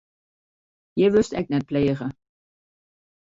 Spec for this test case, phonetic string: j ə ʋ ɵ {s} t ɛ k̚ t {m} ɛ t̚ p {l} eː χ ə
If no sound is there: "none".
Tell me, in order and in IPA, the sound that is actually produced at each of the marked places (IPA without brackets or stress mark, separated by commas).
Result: s, n, l